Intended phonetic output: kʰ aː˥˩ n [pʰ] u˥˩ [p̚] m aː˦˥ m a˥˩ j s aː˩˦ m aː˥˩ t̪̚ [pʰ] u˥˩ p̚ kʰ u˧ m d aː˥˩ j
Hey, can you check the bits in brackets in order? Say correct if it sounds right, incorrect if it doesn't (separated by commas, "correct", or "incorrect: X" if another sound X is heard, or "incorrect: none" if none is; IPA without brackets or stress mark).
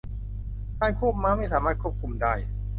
incorrect: kʰ, correct, incorrect: kʰ